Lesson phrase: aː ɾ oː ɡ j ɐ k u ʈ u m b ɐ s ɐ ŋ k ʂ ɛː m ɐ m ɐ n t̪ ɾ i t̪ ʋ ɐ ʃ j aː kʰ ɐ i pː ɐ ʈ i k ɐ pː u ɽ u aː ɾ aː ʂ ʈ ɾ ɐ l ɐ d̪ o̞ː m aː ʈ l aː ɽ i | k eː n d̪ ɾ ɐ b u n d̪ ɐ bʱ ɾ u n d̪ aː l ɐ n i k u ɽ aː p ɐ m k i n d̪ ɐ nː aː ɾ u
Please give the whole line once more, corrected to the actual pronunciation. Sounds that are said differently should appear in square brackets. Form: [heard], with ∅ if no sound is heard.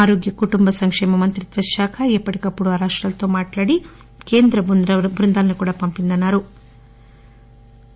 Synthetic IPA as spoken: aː ɾ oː ɡ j ɐ k u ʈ u m b ɐ s ɐ ŋ k ʂ ɛː m ɐ m ɐ n t̪ ɾ i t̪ ʋ ɐ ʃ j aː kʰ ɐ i pː ɐ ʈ i k ɐ pː u ɽ u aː ɾ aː ʂ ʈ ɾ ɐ l ɐ [t̪] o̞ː m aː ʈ l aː ɽ i | k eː n d̪ ɾ ɐ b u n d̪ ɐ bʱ ɾ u n d̪ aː l ɐ n i k [uː] ɽ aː p ɐ m [p] i n d̪ ɐ nː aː ɾ u

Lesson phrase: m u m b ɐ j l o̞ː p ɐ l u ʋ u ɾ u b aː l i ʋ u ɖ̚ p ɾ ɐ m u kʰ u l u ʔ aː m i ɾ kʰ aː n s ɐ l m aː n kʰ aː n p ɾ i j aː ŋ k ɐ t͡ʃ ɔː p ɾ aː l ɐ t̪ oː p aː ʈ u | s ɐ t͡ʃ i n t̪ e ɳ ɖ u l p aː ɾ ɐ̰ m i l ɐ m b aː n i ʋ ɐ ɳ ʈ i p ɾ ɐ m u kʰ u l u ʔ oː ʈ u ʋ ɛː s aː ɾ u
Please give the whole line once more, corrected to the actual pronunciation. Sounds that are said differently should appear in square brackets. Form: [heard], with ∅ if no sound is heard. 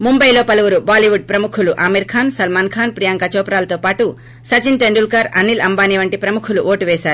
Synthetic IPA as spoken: m u m b ɐ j l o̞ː p ɐ l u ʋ u ɾ u b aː l i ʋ u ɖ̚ p ɾ ɐ m u kʰ u l u ʔ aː m i ɾ kʰ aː n s ɐ l m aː n kʰ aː n p ɾ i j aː ŋ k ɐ t͡ʃ ɔː p ɾ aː l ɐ t̪ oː p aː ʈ u | s ɐ t͡ʃ i n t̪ e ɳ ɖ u l [k] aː ɾ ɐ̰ [n] i l ɐ m b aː n i ʋ ɐ ɳ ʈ i p ɾ ɐ m u kʰ u l u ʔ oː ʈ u ʋ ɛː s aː ɾ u

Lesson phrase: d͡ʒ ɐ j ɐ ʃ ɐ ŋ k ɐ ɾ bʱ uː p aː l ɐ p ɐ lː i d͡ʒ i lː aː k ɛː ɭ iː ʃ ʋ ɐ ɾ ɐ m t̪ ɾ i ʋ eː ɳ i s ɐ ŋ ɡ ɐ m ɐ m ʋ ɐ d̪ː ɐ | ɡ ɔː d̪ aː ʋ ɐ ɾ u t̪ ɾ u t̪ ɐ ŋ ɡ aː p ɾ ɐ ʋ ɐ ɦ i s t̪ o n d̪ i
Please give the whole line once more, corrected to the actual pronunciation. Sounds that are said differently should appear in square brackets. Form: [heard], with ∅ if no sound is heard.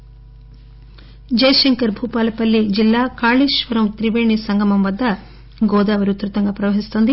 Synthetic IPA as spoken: d͡ʒ ɐ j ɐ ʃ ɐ ŋ k ɐ ɾ bʱ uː p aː l ɐ p ɐ lː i d͡ʒ i lː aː k [aː] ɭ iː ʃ ʋ ɐ ɾ ɐ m t̪ ɾ i ʋ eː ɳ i s ɐ ŋ ɡ ɐ m ɐ m ʋ ɐ d̪ː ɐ | ɡ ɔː d̪ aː ʋ ɐ ɾ u t̪ ɾ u t̪ ɐ ŋ ɡ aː p ɾ ɐ ʋ ɐ ɦ i s t̪ o n d̪ i

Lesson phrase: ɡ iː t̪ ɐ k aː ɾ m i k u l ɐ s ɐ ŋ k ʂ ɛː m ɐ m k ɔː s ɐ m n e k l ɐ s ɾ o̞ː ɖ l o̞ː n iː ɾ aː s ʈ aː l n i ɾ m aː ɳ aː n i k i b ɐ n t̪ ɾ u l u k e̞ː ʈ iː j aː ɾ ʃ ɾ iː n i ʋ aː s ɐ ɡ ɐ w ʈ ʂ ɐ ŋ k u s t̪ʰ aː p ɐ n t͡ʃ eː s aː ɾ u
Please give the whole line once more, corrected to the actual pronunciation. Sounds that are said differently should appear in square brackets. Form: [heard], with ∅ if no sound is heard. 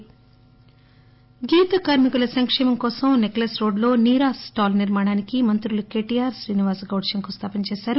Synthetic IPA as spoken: ɡ iː t̪ ɐ k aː ɾ m i k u l ɐ s ɐ ŋ k ʂ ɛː m ɐ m k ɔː s ɐ m n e k l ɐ s ɾ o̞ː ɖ l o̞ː n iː ɾ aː s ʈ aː l n i ɾ m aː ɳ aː n i k i [m] ɐ n t̪ ɾ u l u k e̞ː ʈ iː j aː ɾ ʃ ɾ iː n i ʋ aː s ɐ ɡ ɐ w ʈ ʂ ɐ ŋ k u s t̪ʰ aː p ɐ n t͡ʃ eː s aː ɾ u

